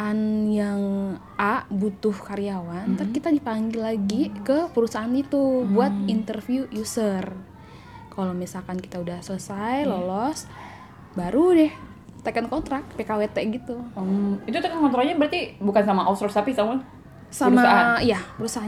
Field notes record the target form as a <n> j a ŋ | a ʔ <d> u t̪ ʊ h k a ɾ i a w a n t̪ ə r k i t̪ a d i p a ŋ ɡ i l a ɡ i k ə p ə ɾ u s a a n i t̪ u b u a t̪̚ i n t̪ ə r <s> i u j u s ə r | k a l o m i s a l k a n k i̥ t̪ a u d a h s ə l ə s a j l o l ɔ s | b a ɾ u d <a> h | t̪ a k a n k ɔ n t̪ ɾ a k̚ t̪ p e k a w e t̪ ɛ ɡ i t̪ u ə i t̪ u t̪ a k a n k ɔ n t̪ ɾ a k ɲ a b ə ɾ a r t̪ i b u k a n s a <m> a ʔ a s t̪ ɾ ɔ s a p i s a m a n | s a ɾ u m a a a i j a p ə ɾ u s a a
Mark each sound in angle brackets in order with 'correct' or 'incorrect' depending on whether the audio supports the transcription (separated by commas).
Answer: correct, incorrect, incorrect, incorrect, correct